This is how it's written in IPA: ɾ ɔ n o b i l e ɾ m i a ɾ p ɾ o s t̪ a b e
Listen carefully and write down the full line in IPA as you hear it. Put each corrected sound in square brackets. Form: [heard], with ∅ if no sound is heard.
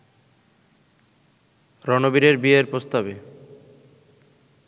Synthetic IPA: ɾ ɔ n o b i [ɾ] e ɾ [b] i [e] ɾ p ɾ o s t̪ a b e